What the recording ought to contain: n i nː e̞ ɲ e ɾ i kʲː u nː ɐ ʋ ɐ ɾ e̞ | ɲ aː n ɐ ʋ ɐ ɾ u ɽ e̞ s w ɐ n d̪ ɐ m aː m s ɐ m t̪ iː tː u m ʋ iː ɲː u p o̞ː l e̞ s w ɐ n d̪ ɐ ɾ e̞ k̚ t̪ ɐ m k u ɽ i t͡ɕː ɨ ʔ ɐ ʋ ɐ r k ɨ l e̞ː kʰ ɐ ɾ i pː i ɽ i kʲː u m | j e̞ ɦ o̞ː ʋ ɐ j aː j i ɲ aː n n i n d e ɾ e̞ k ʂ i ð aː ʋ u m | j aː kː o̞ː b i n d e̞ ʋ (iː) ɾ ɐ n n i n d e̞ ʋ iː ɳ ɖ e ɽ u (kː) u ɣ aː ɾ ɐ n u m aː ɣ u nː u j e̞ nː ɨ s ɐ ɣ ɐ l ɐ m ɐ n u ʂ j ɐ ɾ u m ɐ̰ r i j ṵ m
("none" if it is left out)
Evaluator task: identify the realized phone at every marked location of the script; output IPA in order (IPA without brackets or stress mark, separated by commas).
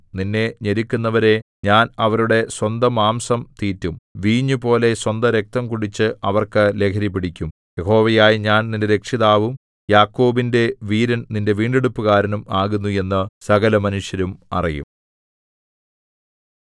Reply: iː, pː